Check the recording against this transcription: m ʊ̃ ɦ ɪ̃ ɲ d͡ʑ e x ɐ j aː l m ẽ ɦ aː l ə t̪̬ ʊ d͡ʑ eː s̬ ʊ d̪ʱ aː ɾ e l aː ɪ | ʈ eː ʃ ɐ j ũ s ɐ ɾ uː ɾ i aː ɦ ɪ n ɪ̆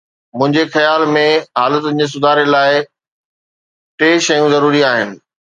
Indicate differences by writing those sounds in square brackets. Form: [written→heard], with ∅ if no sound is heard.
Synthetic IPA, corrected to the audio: m ʊ̃ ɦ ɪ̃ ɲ d͡ʑ e x ɐ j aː l m ẽ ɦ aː l ə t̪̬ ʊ d͡ʑ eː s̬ ʊ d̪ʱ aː ɾ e l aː ɪ | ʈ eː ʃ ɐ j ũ [s→z] ɐ ɾ uː ɾ i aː ɦ ɪ n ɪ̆